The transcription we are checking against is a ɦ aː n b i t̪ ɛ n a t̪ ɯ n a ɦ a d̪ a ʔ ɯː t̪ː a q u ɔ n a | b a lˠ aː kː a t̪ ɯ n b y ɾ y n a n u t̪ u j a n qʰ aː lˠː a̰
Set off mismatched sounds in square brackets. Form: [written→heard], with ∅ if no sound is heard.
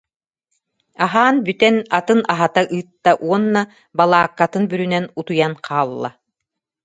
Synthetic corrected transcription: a ɦ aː n b [i→y] t̪ ɛ n a t̪ ɯ n a ɦ a [d̪→t̪] a ʔ ɯː t̪ː a [q→ʔ] u ɔ [n→nː] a | b a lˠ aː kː a t̪ ɯ n b y ɾ y n [a→ɛ] n u t̪ u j a n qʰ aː lˠː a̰